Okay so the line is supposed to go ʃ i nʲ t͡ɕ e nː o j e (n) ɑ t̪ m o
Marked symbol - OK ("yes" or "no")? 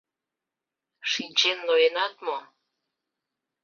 yes